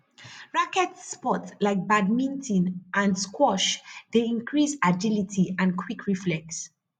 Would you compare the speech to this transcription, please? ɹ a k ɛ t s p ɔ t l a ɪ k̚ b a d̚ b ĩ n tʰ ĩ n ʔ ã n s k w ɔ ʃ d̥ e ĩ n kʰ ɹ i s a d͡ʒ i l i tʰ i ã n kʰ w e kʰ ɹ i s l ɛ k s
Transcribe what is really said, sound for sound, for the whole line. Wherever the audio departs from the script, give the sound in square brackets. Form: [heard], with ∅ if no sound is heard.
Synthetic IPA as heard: ɹ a k ɛ t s p ɔ t l a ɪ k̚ b a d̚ [m] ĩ n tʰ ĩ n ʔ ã n s k w ɔ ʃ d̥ e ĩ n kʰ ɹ i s a d͡ʒ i l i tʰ i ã n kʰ w [i] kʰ ɹ i [f] l ɛ k s